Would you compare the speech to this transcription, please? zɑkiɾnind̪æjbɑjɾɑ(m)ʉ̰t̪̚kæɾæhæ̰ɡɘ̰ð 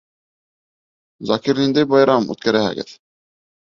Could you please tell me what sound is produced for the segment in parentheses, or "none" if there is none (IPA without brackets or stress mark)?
m